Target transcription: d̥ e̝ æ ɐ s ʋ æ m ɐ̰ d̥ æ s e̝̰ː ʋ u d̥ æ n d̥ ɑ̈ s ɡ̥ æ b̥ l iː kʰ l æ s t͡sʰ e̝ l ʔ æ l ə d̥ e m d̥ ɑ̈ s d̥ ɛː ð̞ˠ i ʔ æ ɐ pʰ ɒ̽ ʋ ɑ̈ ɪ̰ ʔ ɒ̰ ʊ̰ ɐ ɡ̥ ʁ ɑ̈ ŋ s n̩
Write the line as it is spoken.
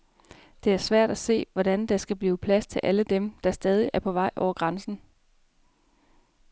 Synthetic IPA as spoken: d̥ e̝ æ ɐ s ʋ æ ɐ̰ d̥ æ s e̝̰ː ʋ ɒ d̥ æ n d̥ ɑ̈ s ɡ̥ æ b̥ l iː pʰ l æ s t͡sʰ e̝ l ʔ æ l ə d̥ e m d̥ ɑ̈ s d̥ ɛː ð̞ˠ i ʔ æ ɐ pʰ ɒ̽ ʋ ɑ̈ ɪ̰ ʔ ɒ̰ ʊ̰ ɐ ɡ̥ ʁ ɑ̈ n s n̩